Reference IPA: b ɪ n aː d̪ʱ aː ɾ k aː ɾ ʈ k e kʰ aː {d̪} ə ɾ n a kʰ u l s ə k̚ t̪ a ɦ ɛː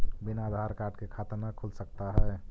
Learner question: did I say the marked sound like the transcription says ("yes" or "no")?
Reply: no